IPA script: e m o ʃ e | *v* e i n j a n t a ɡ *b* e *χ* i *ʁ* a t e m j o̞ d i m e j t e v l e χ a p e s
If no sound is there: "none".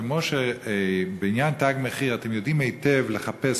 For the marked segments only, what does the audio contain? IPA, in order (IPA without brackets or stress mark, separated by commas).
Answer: b, m, χ, ʁ